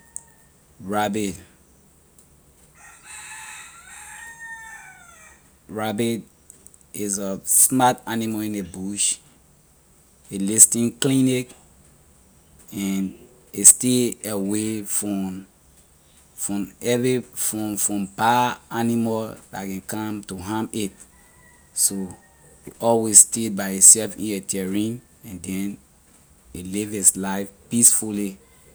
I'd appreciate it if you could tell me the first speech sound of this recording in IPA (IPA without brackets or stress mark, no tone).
ɹ